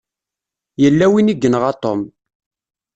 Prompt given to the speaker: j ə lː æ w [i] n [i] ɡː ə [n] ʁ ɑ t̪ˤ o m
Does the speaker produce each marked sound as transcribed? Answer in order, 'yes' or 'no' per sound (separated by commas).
yes, yes, yes